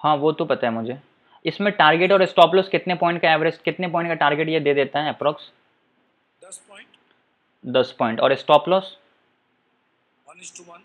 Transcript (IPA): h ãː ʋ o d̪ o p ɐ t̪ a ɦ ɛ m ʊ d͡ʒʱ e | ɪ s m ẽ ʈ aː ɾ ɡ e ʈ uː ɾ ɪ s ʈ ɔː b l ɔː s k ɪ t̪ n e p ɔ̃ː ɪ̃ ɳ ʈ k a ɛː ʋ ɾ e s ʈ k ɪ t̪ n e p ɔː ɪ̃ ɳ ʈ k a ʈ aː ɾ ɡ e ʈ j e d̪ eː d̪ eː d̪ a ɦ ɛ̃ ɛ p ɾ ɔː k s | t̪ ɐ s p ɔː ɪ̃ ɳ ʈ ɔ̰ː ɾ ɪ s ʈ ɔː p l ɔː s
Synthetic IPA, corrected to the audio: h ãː ʋ o t̪ o p ɐ t̪ a ɦ ɛ m ʊ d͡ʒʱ e | ɪ s m ẽ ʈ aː ɾ ɡ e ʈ ɔː ɾ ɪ s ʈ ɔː p l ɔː s k ɪ t̪ n e p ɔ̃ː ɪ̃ ɳ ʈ k a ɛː ʋ ɾ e s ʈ k ɪ t̪ n e p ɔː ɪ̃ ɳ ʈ k a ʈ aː ɾ ɡ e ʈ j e d̪ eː d̪ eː t̪ a ɦ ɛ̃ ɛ p ɾ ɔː k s | d̪ ɐ s p ɔː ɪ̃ ɳ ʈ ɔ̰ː ɾ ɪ s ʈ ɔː p l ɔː s